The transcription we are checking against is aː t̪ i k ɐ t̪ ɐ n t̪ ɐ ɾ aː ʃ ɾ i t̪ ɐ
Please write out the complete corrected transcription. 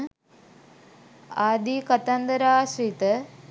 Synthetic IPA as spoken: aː d̪ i k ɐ t̪ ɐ n d̪ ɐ ɾ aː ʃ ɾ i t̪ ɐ

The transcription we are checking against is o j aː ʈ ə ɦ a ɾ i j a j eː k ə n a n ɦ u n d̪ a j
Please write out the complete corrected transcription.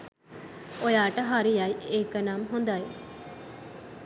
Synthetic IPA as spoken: o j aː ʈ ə ɦ a ɾ i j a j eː k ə n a m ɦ o n d̪ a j

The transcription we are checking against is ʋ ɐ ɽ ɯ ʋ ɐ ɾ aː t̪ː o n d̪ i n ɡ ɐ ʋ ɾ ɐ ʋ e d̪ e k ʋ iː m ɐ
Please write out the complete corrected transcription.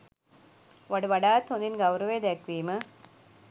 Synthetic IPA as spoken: ʋ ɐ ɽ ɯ ʋ ɐ ɽ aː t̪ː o n d̪ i n ɡ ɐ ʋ ɾ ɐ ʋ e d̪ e k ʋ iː m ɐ

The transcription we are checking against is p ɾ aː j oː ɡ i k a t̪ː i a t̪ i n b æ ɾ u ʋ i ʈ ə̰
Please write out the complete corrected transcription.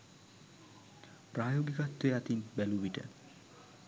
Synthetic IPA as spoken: p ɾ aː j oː ɡ i k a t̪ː e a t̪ i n b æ l u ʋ i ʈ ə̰

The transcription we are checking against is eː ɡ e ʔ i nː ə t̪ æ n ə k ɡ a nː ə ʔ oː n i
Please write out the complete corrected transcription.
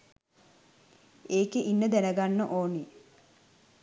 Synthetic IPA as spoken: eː k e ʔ i nː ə d̪ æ n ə ɡ a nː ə ʔ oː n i

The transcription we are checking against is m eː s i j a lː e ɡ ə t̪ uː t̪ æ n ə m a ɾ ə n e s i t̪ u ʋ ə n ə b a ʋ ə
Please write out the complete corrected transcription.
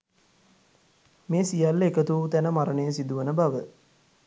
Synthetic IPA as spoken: m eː s i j a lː e k ə t̪ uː t̪ æ n ə m a ɾ ə n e s i d̪ u ʋ ə n ə b a ʋ ə

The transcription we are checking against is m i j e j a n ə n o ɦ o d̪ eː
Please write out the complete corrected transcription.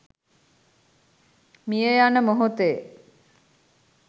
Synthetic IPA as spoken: m i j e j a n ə m o ɦ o t̪ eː

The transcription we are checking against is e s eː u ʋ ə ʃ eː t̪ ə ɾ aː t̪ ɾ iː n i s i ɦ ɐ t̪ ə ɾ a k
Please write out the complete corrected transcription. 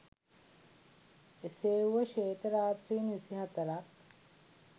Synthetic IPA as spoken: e s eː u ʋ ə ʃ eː t̪ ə ɾ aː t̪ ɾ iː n i s i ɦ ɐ t̪ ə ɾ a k

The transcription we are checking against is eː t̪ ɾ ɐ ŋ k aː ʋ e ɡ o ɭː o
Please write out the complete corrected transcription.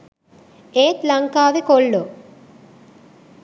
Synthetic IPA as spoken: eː t̪ l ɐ ŋ k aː ʋ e k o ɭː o

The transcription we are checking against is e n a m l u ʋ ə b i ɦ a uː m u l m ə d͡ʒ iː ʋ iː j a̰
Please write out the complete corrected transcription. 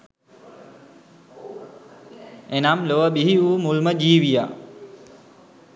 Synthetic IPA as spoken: e n a m l o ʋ ə b i ɦ i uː m u l m ə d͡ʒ iː ʋ i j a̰

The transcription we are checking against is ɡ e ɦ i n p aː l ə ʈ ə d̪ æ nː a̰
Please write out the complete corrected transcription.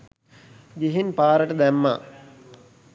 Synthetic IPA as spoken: ɡ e ɦ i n p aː ɾ ə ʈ ə d̪ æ mː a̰

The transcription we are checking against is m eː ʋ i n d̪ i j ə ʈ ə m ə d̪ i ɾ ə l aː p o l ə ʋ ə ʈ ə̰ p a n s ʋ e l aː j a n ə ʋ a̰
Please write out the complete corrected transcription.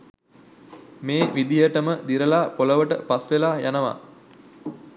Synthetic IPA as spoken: m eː ʋ i d̪ i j ə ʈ ə m ə d̪ i ɾ ə l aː p o l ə ʋ ə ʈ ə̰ p a s ʋ e l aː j a n ə ʋ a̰

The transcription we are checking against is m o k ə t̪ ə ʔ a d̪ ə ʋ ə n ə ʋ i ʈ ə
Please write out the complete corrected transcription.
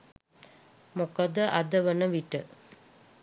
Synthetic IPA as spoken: m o k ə d̪ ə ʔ a d̪ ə ʋ ə n ə ʋ i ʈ ə

